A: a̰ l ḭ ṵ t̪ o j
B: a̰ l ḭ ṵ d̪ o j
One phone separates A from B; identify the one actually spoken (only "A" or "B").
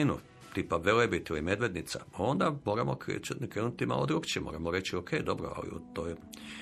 A